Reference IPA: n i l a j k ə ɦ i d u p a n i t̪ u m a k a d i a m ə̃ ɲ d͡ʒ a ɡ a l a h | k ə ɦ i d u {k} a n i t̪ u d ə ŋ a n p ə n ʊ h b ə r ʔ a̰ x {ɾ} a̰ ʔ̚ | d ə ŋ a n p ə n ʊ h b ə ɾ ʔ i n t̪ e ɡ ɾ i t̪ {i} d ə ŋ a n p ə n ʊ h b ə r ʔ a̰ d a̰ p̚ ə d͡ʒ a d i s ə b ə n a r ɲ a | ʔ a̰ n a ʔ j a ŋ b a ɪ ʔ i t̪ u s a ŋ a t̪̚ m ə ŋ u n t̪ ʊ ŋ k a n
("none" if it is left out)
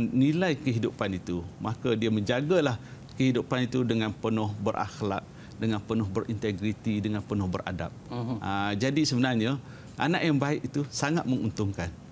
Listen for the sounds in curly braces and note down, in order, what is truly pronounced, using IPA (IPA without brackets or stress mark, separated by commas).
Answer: p, l, i